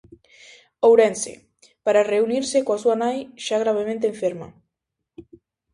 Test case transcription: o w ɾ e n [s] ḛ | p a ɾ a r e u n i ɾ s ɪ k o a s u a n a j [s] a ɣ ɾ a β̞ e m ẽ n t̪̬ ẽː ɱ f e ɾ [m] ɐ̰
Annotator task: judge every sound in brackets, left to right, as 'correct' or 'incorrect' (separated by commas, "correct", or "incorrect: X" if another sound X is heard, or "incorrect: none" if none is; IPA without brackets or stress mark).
correct, incorrect: ʃ, correct